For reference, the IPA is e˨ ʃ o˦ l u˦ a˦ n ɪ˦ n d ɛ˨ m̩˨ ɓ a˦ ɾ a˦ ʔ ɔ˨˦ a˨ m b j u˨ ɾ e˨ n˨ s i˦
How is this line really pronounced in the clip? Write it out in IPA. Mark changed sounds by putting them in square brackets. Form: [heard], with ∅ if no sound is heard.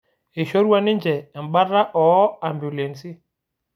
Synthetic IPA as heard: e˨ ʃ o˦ [ɾ] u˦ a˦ n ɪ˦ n [d͡ʒ] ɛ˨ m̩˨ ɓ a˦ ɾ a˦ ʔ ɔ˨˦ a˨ m b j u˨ [l] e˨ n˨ s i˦